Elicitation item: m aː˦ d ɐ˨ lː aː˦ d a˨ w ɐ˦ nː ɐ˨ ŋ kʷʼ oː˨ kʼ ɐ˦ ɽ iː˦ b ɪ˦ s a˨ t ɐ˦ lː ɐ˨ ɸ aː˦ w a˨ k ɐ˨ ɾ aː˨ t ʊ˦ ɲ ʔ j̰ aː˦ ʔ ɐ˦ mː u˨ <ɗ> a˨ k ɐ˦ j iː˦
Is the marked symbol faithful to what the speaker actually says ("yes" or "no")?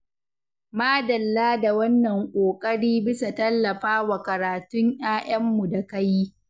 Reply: no